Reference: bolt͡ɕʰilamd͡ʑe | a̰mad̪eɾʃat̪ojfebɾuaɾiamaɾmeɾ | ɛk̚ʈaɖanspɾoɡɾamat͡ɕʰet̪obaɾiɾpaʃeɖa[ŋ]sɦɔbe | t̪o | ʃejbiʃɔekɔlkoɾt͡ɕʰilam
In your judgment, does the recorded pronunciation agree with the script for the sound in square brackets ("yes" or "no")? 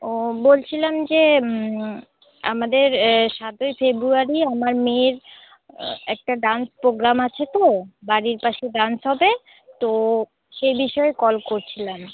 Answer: no